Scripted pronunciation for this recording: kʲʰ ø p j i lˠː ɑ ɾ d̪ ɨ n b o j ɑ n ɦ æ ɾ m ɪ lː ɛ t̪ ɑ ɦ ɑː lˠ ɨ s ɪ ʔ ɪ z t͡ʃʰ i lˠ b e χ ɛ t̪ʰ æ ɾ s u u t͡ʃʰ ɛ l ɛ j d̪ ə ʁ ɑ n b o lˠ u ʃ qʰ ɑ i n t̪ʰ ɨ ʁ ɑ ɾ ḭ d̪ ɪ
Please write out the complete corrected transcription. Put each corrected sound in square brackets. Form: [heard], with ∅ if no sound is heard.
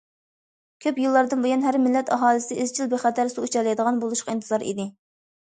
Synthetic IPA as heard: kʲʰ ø p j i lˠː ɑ ɾ d̪ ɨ n b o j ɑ n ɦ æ ɾ m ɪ lː ɛ t̪ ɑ ɦ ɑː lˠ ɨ s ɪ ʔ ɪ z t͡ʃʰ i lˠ b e χ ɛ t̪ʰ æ ɾ s u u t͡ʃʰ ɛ l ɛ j d̪ ə ʁ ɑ n b o lˠ u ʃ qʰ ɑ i n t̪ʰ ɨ [z] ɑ ɾ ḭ d̪ ɪ